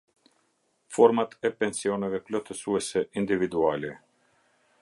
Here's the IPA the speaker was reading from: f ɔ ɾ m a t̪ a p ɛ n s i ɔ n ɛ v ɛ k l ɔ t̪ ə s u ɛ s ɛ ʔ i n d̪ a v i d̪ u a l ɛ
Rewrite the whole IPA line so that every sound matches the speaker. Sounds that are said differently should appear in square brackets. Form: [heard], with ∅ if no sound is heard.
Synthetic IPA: f ɔ ɾ m a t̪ [ɛ] p ɛ n s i ɔ n ɛ v ɛ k l ɔ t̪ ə s u ɛ s ɛ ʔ i n d̪ [i] v i d̪ u a l ɛ